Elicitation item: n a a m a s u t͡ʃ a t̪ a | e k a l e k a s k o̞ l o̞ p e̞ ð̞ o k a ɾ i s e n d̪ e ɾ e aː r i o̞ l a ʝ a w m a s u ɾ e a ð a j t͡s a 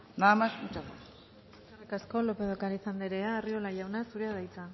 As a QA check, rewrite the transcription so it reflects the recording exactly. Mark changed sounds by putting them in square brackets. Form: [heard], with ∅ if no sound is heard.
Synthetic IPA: n a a m a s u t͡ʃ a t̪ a | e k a [r] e k a s k o̞ l o̞ p e̞ ð̞ o k a ɾ i s [a] n d̪ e ɾ e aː r i o̞ l a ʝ a w [n] a s u ɾ e a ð a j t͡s a

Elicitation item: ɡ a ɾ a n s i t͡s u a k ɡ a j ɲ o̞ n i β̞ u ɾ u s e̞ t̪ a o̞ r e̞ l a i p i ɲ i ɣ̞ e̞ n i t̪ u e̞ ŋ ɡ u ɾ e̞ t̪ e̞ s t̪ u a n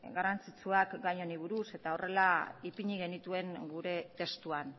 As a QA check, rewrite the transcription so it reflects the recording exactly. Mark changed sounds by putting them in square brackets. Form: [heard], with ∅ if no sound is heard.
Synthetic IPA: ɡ a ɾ a n [t͡s] i t͡s u a k ɡ a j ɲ o̞ n i β̞ u ɾ u s e̞ t̪ a o̞ r e̞ l a i p i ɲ i ɣ̞ e̞ n i t̪ u e̞ ŋ ɡ u ɾ e̞ t̪ e̞ s t̪ u a n

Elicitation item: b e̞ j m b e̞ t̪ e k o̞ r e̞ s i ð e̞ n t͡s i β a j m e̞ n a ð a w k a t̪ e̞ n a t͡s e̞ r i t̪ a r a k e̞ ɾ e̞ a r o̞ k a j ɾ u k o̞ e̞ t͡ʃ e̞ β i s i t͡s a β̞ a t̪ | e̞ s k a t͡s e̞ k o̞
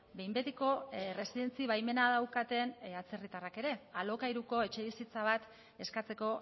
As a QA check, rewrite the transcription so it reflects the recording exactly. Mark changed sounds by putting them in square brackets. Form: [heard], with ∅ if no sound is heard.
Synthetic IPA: b e̞ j m b e̞ t̪ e k o̞ r e̞ s i ð e̞ n t͡s i β a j m e̞ n a ð a w k a t̪ e̞ n a t͡s e̞ r i t̪ a r a k e̞ ɾ e̞ a [l] o̞ k a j ɾ u k o̞ e̞ t͡ʃ e̞ β i s i t͡s a β̞ a t̪ | e̞ s k a t͡s e̞ k o̞

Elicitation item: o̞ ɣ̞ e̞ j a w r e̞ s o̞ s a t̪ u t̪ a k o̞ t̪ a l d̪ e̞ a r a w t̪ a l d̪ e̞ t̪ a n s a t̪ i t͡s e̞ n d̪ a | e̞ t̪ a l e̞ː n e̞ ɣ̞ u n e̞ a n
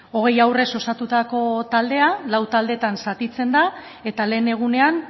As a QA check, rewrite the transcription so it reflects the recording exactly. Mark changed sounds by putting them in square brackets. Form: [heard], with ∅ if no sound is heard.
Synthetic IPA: o̞ ɣ̞ e̞ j a w r e̞ s o̞ s a t̪ u t̪ a k o̞ t̪ a l d̪ e̞ a [l] a w t̪ a l d̪ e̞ t̪ a n s a t̪ i t͡s e̞ n d̪ a | e̞ t̪ a l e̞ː n e̞ ɣ̞ u n e̞ a n

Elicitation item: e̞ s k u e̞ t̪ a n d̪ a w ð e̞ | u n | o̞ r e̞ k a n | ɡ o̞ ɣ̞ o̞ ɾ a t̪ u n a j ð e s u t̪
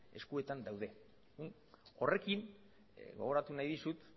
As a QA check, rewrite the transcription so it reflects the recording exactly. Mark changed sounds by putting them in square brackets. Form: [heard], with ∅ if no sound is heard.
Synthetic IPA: e̞ s k u e̞ t̪ a n d̪ a w ð e̞ | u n | o̞ r e̞ k [i] n | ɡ o̞ ɣ̞ o̞ ɾ a t̪ u n a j ð [i] s u t̪

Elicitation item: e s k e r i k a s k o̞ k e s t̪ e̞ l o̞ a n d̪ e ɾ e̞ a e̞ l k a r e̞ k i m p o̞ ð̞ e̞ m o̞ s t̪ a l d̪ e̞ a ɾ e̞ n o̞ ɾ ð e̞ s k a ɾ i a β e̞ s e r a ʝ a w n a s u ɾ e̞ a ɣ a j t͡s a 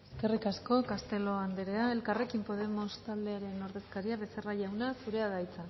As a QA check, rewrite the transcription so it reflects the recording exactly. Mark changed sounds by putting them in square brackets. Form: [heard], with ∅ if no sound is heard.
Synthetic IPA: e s k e r i k a s k o̞ k [a] s t̪ e̞ l o̞ a n d̪ e ɾ e̞ a e̞ l k a r e̞ k i m p o̞ ð̞ e̞ m o̞ s t̪ a l d̪ e̞ a ɾ e̞ n o̞ ɾ ð e̞ s k a ɾ i a β e̞ s e r a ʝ a w n a s u ɾ e̞ a [ð] a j t͡s a

